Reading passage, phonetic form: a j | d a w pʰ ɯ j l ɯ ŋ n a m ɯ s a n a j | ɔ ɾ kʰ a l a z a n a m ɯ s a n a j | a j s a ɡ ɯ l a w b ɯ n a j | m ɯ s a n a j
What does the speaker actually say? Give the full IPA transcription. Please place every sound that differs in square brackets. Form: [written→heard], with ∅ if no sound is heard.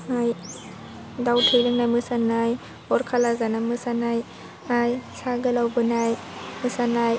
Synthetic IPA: a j | d a w [pʰ→tʰ] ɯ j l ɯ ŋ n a m ɯ s a n a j | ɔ ɾ kʰ a l a z a n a m ɯ s a n a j | a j s a ɡ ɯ l a w b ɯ n a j | m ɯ s a n a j